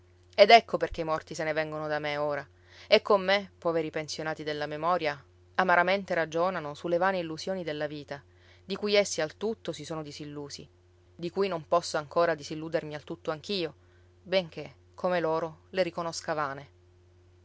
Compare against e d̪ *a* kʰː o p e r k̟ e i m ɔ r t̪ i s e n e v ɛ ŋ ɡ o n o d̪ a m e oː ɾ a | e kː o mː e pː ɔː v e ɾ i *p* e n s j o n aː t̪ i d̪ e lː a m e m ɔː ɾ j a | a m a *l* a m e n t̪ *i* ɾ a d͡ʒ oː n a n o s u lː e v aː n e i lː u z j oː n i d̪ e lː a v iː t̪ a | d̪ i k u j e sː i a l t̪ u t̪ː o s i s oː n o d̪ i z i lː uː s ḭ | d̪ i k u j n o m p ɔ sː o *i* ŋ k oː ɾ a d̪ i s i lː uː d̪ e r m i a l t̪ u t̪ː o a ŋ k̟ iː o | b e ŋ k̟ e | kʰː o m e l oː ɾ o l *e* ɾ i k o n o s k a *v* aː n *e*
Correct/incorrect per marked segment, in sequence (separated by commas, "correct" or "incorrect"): incorrect, correct, incorrect, incorrect, incorrect, correct, correct, correct